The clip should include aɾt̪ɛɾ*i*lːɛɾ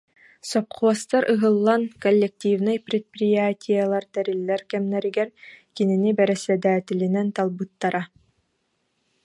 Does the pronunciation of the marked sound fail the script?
no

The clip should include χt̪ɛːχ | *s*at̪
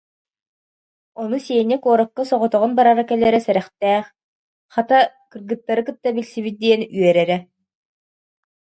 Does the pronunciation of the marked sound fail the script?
yes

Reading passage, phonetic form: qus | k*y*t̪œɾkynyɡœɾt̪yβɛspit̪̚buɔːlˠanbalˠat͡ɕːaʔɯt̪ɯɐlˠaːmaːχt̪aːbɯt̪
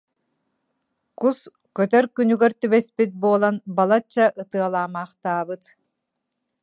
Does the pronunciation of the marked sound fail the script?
yes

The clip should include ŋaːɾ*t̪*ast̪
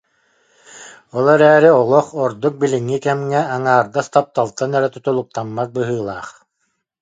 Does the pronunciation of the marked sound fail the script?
yes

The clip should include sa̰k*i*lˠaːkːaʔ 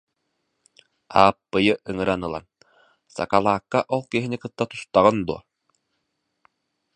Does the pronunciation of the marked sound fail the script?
yes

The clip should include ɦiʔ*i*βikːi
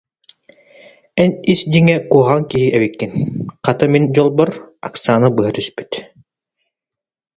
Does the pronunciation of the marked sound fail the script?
yes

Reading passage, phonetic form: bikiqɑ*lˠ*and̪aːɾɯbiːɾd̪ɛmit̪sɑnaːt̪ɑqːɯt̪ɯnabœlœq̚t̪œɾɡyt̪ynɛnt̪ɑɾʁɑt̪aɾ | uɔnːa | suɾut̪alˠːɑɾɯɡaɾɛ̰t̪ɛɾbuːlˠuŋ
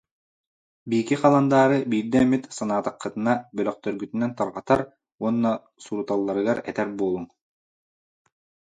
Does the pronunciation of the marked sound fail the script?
no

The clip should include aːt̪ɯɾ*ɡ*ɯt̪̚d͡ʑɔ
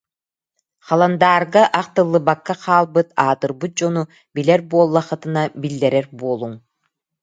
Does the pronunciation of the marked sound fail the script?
yes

